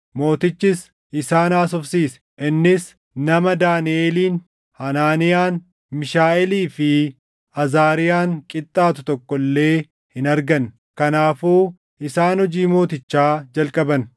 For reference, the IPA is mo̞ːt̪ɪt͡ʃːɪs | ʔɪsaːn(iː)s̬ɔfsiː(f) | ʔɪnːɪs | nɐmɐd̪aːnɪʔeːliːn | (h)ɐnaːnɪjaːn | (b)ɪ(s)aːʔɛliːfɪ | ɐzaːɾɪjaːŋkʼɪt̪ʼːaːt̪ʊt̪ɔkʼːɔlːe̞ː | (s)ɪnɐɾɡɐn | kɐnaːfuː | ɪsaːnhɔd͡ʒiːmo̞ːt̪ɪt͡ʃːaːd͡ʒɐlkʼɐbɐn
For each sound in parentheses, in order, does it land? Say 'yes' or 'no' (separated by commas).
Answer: no, no, yes, no, no, no